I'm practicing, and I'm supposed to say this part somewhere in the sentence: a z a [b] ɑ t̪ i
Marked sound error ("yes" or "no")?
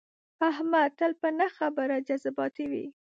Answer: no